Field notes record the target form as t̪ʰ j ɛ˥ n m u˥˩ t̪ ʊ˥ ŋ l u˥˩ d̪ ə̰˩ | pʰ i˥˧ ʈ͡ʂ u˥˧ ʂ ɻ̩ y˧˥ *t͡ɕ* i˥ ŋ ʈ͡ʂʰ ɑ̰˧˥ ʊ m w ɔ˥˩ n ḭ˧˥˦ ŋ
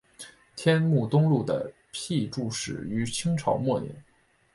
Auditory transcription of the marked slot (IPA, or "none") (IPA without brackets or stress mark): t͡ɕʰ